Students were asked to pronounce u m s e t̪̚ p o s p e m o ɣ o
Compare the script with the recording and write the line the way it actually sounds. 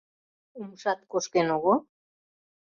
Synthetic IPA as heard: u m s a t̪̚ k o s k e n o ɣ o